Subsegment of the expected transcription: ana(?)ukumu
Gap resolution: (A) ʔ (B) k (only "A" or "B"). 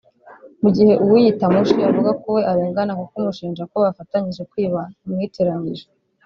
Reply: B